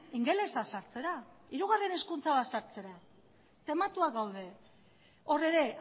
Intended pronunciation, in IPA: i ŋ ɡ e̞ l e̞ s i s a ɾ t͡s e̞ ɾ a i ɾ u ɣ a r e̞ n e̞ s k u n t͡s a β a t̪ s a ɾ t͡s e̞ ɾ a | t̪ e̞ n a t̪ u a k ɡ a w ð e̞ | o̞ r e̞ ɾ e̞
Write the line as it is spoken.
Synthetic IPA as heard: i ŋ ɡ e̞ l e̞ s a s a ɾ t͡s e̞ ɾ a i ɾ u ɣ a r e̞ n e̞ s k u n t͡s a β a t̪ s a ɾ t͡s e̞ ɾ a | t̪ e̞ m a t̪ u a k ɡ a w ð e̞ | o̞ r e̞ ɾ e̞